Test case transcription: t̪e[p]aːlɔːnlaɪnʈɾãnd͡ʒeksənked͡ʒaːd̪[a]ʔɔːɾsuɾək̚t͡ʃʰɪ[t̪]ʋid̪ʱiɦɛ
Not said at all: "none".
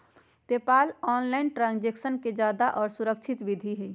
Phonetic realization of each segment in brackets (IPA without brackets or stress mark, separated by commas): p, a, t̪